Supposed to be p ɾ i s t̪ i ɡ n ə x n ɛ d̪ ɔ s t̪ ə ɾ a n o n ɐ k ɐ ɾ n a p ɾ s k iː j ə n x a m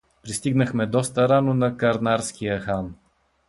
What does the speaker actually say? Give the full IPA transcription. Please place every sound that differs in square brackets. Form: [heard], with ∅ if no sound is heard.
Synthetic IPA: p ɾ i s t̪ i ɡ n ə x [m] ɛ d̪ ɔ s t̪ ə ɾ a n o n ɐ k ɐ ɾ n a [∅] ɾ s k [i] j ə [∅] x a [n]